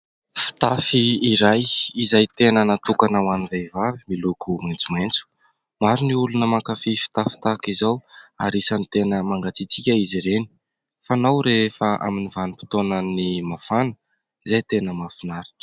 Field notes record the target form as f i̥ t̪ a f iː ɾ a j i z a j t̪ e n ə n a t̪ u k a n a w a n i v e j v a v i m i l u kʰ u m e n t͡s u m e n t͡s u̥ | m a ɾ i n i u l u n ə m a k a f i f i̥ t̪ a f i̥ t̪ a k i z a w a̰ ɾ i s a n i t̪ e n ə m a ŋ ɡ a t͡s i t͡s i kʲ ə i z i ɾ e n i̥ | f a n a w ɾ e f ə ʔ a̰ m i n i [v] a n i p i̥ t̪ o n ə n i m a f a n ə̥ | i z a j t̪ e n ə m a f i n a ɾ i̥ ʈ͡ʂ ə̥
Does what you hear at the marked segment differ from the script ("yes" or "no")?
no